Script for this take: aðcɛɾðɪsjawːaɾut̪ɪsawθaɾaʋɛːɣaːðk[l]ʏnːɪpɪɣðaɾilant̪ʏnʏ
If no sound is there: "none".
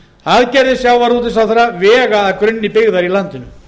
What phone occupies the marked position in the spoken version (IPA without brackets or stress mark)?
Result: ɾ